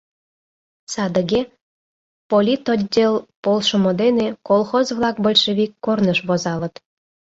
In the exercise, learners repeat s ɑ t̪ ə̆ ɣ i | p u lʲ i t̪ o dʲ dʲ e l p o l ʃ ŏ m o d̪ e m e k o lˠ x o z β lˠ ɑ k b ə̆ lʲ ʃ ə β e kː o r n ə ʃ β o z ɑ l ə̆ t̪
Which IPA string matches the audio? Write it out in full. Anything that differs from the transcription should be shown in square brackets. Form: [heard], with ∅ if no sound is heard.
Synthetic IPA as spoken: s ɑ [d̪] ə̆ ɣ [e] | p [o] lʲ i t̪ o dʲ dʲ e l p o l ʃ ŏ m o d̪ e [n] e k o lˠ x o z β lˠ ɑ k b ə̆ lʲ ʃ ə β [i] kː o r n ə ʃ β o z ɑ l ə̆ t̪